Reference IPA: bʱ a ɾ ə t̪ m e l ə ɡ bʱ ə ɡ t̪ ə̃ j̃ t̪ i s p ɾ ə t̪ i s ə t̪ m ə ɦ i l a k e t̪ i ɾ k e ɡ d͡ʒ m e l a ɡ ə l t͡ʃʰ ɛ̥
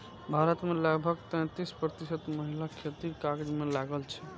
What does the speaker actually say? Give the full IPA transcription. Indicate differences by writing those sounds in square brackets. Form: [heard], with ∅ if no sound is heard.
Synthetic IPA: bʱ a ɾ ə t̪ m e l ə ɡ bʱ ə ɡ t̪ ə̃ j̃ t̪ i s p ɾ ə t̪ i s ə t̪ m ə ɦ i l a [kʰ] e t̪ i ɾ k [a] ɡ d͡ʒ m e l a ɡ ə l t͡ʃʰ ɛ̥